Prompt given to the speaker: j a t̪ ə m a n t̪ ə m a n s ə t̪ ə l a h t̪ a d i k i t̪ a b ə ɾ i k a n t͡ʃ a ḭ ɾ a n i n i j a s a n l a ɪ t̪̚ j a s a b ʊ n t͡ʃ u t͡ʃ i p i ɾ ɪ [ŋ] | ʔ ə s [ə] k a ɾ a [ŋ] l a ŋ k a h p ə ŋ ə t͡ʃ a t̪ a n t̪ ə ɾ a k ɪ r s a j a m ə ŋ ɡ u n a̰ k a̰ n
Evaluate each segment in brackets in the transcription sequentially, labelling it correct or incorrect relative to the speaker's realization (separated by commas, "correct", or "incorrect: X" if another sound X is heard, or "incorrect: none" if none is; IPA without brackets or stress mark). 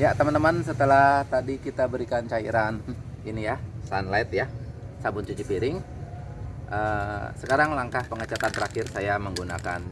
correct, correct, correct